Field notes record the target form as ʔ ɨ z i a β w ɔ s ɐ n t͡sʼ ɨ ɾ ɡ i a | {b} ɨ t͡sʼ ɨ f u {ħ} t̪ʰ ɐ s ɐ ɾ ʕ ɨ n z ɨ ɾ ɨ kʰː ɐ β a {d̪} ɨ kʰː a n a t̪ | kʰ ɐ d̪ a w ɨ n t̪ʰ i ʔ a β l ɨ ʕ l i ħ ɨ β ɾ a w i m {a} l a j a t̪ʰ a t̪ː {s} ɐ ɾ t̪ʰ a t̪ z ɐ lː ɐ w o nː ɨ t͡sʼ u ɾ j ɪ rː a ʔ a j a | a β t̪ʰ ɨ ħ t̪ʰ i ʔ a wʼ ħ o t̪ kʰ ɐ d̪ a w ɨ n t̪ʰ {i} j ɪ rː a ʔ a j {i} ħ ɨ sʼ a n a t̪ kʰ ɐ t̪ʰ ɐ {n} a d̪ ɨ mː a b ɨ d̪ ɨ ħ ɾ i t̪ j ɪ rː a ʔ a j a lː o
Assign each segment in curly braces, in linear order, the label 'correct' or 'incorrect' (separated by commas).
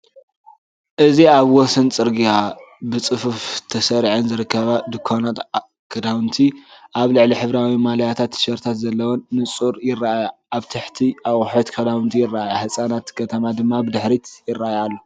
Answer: correct, incorrect, correct, correct, incorrect, correct, incorrect, incorrect